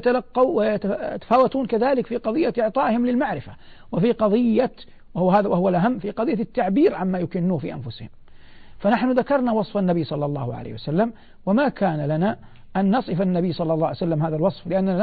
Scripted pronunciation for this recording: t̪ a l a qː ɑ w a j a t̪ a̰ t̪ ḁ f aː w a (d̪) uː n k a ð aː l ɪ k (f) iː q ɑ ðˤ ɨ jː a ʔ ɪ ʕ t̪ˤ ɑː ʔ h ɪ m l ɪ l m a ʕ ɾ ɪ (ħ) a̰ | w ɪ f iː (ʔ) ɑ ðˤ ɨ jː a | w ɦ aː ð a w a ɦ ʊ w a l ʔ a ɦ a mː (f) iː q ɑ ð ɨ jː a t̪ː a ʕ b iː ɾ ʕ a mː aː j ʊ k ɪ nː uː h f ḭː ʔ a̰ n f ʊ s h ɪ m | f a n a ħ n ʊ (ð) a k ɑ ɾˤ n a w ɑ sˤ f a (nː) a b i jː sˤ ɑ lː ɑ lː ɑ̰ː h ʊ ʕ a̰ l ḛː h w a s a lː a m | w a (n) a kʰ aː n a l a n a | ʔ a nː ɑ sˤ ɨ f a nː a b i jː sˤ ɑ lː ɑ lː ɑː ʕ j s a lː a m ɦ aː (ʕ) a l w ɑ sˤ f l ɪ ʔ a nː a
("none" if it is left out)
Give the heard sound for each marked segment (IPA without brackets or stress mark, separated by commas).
t̪, f, f, q, f, ð, nː, m, ð